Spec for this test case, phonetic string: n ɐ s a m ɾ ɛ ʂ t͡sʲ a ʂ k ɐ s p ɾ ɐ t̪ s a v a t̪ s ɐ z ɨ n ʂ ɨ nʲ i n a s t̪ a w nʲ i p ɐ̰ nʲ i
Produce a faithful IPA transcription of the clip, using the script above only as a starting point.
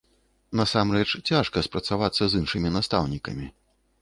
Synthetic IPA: n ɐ s a m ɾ ɛ t͡ʂ t͡sʲ a ʂ k ɐ s p ɾ ɐ t̪ s a v a t̪ sː ɐ z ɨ n ʂ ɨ mʲ i n a s t̪ a w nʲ i k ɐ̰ mʲ i